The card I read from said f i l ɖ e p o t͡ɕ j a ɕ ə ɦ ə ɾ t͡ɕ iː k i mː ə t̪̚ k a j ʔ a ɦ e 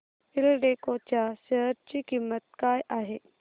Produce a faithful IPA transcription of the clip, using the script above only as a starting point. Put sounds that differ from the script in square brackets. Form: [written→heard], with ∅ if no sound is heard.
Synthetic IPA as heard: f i l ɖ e [p→k] o t͡ɕ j a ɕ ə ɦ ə ɾ t͡ɕ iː k i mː ə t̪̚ k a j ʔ a ɦ e